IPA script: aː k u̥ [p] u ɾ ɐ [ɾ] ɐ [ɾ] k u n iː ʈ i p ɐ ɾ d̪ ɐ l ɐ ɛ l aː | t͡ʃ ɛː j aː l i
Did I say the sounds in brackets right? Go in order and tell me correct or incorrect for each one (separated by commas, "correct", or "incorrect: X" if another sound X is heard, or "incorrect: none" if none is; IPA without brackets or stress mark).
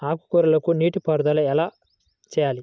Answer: incorrect: k, incorrect: l, incorrect: none